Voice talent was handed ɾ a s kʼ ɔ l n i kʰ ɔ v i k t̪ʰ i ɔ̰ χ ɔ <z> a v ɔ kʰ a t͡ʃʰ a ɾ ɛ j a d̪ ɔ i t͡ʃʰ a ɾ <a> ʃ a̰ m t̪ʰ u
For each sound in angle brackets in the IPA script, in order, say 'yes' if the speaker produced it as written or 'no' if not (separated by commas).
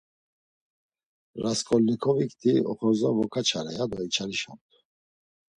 yes, no